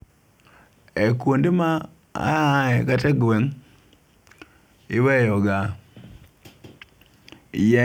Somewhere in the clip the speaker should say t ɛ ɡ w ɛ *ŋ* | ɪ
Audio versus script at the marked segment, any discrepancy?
no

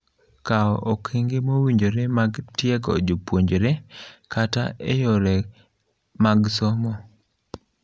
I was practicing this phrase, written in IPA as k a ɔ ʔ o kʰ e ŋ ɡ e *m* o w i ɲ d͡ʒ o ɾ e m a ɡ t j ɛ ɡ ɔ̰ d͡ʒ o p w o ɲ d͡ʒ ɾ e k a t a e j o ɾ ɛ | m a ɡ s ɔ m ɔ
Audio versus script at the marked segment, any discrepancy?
no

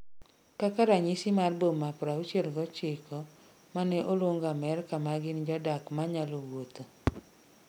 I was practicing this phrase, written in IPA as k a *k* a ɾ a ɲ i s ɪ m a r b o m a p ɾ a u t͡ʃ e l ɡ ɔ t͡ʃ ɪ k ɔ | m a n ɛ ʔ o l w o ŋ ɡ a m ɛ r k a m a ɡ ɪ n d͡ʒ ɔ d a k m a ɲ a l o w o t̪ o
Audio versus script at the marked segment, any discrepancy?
no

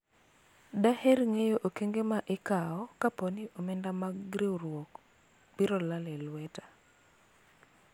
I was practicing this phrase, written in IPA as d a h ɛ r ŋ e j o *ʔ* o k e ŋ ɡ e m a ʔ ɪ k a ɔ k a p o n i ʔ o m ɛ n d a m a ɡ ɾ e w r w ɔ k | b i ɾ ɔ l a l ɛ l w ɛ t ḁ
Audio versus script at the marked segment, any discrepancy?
no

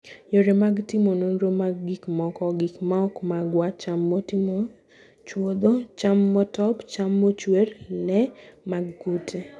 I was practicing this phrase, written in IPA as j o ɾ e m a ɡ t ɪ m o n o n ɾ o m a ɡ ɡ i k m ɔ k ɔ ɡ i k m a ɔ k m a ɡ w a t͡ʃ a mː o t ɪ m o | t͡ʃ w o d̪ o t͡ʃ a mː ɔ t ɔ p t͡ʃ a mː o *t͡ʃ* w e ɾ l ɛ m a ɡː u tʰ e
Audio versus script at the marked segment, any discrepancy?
no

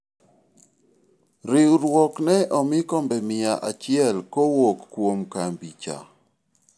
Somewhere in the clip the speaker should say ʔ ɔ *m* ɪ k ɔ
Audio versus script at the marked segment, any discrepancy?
no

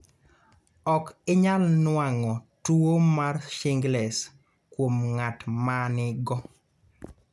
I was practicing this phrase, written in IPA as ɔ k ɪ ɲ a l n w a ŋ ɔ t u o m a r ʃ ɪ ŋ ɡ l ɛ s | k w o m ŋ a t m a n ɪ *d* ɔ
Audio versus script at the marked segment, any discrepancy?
yes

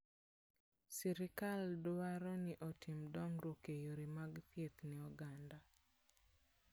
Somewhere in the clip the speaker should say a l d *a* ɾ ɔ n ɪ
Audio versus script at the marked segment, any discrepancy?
no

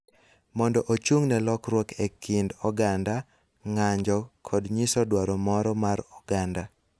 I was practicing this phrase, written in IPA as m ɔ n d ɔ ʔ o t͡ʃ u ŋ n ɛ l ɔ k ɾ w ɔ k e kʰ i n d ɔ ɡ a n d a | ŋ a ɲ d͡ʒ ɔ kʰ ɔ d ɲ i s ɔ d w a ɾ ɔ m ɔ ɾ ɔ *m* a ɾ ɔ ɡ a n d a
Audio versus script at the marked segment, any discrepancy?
no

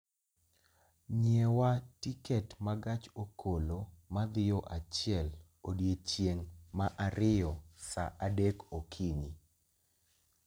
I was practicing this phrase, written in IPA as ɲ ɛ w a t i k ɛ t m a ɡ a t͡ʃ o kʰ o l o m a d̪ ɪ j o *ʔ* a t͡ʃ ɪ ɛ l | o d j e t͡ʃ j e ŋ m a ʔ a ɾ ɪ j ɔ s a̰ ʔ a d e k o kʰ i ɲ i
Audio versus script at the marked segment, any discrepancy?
no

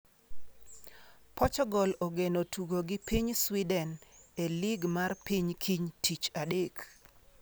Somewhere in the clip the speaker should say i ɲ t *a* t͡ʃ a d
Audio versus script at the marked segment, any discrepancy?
yes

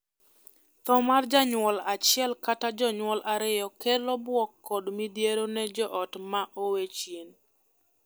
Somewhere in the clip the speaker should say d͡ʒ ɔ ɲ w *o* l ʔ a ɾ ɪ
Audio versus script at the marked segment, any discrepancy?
yes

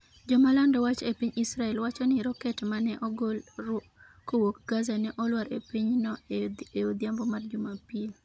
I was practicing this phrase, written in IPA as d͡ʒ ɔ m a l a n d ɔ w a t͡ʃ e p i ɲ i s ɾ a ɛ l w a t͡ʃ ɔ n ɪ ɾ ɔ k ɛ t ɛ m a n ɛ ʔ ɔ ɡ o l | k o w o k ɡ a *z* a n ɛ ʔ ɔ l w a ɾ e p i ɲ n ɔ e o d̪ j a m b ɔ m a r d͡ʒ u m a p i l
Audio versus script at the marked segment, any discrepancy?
no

